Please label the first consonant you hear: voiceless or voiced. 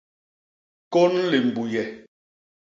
voiceless